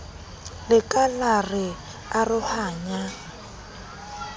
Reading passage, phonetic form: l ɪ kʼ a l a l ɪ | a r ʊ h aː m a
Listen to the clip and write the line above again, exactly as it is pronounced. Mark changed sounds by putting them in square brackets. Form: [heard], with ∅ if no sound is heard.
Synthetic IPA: l ɪ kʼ a l a [r] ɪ | a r ʊ h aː [ɲ] a